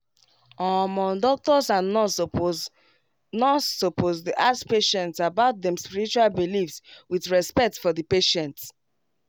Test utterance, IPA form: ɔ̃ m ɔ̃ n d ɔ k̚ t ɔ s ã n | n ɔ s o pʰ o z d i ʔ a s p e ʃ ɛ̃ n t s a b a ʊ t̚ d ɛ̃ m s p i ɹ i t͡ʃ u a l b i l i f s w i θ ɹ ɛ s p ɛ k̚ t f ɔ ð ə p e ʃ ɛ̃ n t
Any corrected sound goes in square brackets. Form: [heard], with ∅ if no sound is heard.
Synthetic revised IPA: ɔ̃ m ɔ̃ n d ɔ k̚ t ɔ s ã n | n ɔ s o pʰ o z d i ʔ a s p e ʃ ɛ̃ n t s a b a ʊ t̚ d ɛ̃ m s p i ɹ i t͡ʃ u a l b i l i f s w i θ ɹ ɛ s p ɛ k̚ t f ɔ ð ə p e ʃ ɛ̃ n t

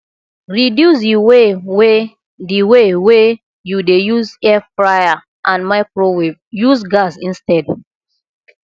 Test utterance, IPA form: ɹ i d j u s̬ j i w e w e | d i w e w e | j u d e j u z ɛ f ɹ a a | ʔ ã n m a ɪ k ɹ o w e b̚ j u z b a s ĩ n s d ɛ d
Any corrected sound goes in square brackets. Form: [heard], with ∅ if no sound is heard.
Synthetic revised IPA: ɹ i d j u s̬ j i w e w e | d i w e w e | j u d e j u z ɛ f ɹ a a | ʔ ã n m a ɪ k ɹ o w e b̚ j u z [ɡ] a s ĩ n s [t] ɛ d

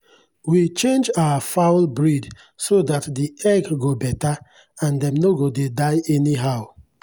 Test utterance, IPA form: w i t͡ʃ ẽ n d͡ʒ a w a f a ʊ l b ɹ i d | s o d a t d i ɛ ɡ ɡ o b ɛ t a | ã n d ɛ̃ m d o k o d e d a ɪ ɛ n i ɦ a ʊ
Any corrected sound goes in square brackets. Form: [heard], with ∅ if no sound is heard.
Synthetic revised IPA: w i t͡ʃ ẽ n d͡ʒ a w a f a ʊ l b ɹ i d | s o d a t d i ɛ ɡ ɡ o b ɛ t a | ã n d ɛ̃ m [n] o [ɡ] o d e d a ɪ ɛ n i ɦ a ʊ

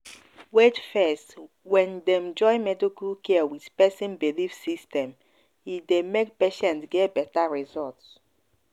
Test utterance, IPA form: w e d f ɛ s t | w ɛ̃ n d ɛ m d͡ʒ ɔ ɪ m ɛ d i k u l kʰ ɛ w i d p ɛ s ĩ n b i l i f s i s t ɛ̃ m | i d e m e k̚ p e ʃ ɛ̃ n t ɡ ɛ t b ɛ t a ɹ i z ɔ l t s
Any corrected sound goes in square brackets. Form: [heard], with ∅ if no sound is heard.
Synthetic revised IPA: w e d f ɛ s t | w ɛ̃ n d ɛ m d͡ʒ ɔ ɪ m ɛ d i k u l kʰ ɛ w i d p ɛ s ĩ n b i l i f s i s t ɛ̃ m | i d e m e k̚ p e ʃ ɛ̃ n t ɡ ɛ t b ɛ t a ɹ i z ɔ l t s

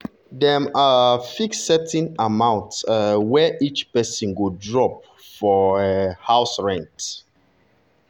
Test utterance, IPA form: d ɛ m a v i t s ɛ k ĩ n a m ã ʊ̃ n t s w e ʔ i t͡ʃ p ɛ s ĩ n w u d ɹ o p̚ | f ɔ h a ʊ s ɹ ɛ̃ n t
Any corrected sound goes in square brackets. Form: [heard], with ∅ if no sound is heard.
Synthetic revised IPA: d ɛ m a [f] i [k] s ɛ [t] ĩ n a m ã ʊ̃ n t s w [ɛ] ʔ i t͡ʃ p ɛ s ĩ n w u d ɹ [ɔ] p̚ | f ɔ h a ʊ s ɹ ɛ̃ n t

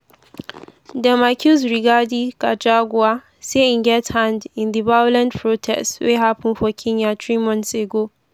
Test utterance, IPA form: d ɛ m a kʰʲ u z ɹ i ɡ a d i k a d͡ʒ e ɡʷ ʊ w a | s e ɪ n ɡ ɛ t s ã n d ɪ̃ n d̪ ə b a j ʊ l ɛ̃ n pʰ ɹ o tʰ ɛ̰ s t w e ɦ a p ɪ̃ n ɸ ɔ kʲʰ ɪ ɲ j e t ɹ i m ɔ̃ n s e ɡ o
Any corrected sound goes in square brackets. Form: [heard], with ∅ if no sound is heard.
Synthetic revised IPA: d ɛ m a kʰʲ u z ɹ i ɡ a d i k a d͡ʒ [a] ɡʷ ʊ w a | s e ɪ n ɡ ɛ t [h] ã n d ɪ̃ n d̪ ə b a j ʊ l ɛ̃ n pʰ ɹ o tʰ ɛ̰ s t w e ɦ a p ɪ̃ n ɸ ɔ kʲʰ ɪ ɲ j [a] t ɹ i m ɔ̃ n s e ɡ o

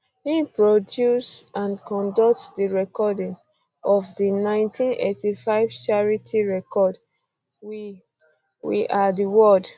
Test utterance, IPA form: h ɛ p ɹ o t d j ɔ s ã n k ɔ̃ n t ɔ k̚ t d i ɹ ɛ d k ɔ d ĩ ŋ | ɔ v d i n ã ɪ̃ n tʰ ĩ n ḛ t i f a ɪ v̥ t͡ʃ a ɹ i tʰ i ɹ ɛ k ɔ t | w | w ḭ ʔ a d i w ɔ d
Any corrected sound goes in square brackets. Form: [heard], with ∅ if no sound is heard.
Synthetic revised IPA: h [i] p ɹ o [∅] d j [u] s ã n k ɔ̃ n [d] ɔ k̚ t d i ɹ ɛ [∅] k ɔ d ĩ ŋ | ɔ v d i n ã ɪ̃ n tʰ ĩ n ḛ t i f a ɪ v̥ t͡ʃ a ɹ i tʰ i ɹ ɛ k ɔ [d] | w | w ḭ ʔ a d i w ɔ d

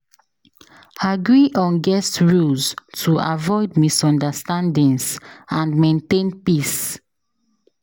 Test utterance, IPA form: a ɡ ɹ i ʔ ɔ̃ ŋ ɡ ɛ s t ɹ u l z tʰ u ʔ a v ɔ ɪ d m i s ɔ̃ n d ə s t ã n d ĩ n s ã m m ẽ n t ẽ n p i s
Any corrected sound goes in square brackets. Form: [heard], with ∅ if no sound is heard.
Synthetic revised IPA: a ɡ ɹ i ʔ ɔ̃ [n] ɡ ɛ s t ɹ u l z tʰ u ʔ a v ɔ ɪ d m i s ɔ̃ n d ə s t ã n d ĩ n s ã [n] m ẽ n t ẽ n p i s

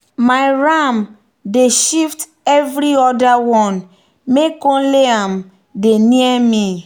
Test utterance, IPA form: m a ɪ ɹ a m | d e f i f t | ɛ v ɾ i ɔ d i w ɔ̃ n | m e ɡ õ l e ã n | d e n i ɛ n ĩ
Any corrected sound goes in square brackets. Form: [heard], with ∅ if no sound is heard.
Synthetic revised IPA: m a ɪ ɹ a m | d e [ʃ] i f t | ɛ v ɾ i ɔ d [a] w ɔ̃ n | m e [k] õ l e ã [m] | d e n i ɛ [m] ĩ

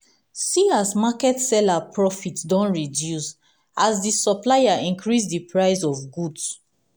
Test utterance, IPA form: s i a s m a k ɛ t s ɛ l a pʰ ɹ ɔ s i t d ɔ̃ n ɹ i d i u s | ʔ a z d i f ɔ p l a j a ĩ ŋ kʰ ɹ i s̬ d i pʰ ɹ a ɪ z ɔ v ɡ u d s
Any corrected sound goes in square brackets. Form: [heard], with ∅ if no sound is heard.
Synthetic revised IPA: s i a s m a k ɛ t s ɛ l a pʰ ɹ ɔ [f] i t d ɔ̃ n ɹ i d [j] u s | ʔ a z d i [s] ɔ p l a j a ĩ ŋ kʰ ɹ i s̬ d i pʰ ɹ a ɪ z ɔ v ɡ u d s

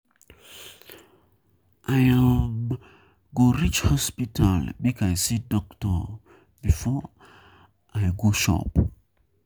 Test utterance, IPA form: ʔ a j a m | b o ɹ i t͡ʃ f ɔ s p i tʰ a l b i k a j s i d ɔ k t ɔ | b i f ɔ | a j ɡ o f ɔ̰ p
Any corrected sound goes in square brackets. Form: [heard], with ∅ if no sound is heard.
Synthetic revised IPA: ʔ a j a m | [ɡ] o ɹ i t͡ʃ [h] ɔ s p i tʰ a l b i k a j s i d ɔ k t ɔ | b i f ɔ | a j ɡ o [ʃ] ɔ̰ p

